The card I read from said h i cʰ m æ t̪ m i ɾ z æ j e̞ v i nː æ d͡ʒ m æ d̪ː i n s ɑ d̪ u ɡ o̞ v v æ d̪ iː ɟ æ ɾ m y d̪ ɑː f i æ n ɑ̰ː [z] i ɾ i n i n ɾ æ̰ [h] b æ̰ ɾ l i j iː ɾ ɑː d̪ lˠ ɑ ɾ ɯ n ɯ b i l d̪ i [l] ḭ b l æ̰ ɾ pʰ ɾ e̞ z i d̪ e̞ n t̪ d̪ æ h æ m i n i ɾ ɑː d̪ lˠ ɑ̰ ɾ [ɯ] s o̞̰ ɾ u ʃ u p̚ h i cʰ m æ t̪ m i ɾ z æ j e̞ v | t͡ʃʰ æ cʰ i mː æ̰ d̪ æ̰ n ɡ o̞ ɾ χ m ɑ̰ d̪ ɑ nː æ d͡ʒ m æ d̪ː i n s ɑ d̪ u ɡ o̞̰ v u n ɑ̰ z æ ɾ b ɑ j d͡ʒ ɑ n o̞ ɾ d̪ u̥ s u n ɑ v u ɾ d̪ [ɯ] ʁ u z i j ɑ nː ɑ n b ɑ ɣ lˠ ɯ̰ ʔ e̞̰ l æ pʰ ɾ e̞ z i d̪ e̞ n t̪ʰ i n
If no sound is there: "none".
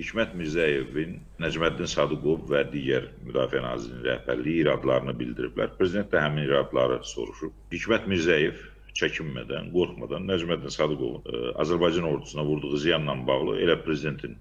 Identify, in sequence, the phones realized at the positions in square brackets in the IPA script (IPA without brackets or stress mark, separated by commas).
z, h, ɾ, ɯ, u